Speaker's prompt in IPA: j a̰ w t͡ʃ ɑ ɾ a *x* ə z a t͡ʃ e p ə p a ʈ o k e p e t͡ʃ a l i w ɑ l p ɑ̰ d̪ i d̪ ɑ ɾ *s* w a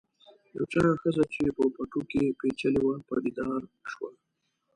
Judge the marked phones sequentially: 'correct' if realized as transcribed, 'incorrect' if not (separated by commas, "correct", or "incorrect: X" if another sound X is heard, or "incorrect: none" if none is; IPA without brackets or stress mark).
correct, incorrect: ʃ